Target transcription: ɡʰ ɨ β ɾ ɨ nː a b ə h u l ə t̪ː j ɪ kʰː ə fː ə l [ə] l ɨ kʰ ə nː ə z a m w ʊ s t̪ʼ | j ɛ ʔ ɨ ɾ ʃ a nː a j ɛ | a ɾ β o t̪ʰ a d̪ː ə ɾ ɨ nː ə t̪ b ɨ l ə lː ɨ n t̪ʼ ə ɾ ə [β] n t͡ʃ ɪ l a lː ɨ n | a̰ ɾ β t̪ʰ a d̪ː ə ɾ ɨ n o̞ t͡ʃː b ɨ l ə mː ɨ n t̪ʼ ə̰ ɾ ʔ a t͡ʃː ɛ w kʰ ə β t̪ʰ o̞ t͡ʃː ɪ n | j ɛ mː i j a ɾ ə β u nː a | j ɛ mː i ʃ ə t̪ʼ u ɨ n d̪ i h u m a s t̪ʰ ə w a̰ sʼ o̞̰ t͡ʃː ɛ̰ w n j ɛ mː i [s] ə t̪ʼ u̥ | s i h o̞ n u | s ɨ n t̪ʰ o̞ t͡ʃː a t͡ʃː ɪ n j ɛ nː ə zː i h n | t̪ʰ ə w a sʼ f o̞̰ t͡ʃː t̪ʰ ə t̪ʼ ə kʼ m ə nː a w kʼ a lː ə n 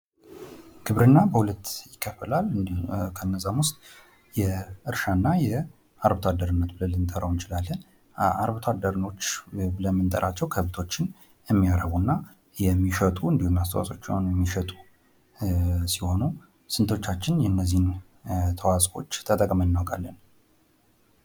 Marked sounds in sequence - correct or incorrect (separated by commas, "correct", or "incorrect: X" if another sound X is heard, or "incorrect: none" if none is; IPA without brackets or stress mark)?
incorrect: a, incorrect: w, incorrect: ʃ